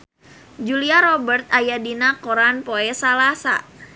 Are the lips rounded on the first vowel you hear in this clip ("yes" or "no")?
yes